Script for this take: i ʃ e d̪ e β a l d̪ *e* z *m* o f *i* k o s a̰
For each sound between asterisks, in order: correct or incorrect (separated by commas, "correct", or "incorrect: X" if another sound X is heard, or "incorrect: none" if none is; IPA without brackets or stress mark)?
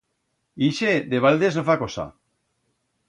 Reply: correct, incorrect: n, incorrect: a